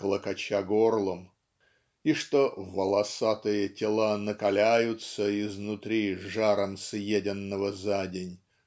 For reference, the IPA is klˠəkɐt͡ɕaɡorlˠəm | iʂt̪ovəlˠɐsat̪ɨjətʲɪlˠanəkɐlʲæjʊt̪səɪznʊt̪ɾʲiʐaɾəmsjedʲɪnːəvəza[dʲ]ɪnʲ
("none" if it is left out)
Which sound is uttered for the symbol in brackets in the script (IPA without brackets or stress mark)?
dʲ